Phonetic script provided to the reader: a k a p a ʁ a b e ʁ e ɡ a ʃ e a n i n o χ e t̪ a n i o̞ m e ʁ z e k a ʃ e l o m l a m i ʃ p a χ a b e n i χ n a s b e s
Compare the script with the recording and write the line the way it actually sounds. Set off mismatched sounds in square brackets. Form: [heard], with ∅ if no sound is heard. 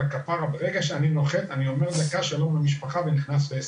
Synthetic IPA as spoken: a k a p a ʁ a b e ʁ e ɡ a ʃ e a n i n o χ e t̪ a n i o̞ m e ʁ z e k a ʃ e l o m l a m i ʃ p a χ a [v] e n i χ n a s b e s